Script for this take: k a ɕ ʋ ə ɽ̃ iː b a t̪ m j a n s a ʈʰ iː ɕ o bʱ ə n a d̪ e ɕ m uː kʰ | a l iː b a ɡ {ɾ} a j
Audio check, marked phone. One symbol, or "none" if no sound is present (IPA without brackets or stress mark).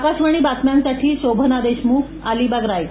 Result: ɾ